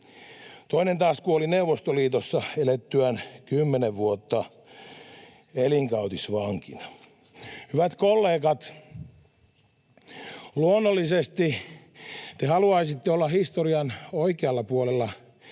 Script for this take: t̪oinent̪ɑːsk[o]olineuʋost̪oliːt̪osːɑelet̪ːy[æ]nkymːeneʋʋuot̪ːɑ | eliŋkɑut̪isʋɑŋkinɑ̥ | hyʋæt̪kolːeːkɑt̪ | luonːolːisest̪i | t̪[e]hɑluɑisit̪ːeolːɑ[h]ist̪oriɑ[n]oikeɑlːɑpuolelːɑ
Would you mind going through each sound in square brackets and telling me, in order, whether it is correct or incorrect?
incorrect, correct, correct, correct, correct

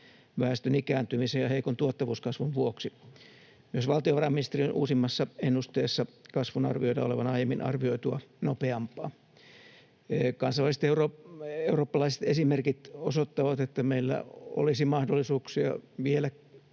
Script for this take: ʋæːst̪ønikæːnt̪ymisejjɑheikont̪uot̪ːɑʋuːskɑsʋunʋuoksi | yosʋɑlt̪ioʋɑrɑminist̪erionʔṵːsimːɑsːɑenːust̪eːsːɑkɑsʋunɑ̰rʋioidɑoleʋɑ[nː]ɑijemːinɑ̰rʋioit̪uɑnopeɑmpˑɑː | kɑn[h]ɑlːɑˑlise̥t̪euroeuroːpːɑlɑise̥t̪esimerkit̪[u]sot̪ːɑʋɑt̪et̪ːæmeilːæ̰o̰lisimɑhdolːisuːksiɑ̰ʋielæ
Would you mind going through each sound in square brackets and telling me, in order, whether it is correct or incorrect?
incorrect, incorrect, incorrect

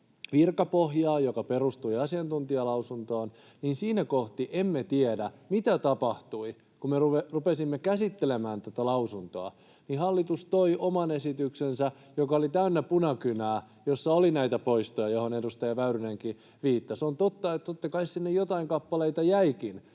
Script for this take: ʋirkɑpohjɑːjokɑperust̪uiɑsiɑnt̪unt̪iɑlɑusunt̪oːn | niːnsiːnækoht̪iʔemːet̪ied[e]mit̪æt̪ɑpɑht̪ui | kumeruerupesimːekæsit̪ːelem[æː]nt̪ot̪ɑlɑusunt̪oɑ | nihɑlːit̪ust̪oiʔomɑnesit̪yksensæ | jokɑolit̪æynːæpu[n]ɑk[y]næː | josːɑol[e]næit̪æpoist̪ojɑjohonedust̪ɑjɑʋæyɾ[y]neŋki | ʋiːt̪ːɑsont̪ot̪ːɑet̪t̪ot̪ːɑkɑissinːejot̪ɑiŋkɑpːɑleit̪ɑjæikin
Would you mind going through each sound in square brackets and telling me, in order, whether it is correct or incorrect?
incorrect, correct, correct, correct, incorrect, correct

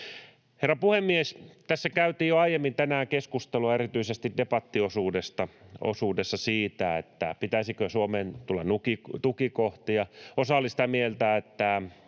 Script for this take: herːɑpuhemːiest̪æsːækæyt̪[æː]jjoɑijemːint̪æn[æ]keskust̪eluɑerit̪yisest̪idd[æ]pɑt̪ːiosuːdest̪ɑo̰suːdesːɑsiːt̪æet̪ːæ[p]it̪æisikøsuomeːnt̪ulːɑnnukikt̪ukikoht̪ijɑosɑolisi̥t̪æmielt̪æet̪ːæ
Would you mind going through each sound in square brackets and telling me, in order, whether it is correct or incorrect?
incorrect, incorrect, incorrect, correct

